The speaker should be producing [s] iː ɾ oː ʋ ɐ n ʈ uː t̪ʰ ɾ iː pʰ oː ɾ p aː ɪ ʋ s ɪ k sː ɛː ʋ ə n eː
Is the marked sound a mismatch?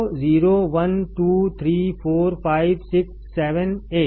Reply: yes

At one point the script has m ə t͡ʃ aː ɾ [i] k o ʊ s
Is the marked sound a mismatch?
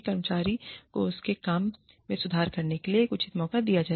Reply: no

